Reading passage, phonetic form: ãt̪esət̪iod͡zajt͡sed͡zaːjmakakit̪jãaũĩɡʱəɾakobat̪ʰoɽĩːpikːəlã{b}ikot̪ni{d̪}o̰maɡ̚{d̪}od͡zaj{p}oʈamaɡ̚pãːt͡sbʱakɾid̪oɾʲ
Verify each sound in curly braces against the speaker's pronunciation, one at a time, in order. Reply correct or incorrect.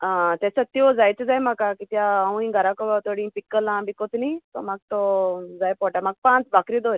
correct, incorrect: t̪, incorrect: t̪, correct

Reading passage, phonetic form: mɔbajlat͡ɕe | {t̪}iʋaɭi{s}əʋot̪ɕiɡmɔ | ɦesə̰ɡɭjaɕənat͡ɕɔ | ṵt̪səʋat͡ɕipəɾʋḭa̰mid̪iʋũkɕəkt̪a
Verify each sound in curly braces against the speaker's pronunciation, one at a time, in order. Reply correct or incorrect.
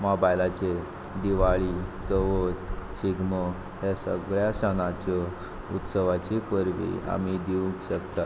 incorrect: d̪, incorrect: t͡s

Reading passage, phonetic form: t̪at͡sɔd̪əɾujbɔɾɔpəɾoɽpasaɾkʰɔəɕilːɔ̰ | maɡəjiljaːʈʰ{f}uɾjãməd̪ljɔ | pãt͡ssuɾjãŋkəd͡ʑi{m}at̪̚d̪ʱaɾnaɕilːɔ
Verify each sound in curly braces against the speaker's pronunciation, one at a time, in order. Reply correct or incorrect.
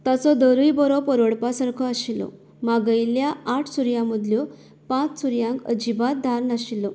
incorrect: s, incorrect: b

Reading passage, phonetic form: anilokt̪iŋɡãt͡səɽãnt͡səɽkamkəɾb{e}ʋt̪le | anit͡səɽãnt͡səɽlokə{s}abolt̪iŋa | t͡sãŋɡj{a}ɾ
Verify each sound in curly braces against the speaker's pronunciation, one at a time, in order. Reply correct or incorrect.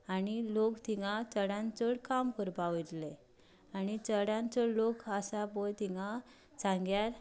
incorrect: a, correct, correct

